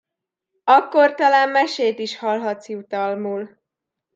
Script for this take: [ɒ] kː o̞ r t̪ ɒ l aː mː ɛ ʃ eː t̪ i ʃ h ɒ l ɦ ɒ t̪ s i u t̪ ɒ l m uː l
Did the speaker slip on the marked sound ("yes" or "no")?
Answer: no